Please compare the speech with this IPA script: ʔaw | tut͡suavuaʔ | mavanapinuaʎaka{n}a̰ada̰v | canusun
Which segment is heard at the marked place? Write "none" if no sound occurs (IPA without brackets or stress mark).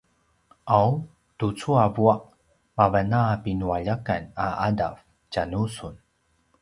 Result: n